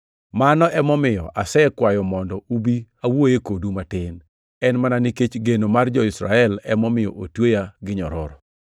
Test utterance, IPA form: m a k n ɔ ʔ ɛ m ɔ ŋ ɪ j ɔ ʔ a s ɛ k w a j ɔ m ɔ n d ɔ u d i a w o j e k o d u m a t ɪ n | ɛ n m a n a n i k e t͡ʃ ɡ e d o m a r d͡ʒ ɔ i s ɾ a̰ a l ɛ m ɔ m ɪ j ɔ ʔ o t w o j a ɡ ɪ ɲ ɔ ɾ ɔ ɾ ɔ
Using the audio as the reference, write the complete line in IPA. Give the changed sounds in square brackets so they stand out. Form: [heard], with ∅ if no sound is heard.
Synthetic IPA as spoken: m a [∅] n ɔ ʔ ɛ m ɔ [m] ɪ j ɔ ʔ a s ɛ k w a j ɔ m ɔ n d ɔ u [b] i a w o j e k o d u m a t ɪ n | ɛ n m a n a n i k e t͡ʃ ɡ e [n] o m a r d͡ʒ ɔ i s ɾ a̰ [ɛ] l ɛ m ɔ m ɪ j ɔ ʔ o t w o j a ɡ ɪ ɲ ɔ ɾ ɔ ɾ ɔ